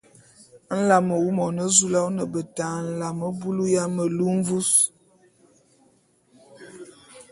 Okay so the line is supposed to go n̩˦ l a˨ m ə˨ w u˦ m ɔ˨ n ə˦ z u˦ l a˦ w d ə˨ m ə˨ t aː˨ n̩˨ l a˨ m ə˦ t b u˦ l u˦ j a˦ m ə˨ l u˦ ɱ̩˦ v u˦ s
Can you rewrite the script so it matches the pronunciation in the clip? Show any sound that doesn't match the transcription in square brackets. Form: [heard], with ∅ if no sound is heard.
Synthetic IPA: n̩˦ l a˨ m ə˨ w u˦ m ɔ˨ n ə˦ z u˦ l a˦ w [n] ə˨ [b] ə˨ t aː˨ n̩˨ l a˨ m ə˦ [∅] b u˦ l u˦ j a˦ m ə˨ l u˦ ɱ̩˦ v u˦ s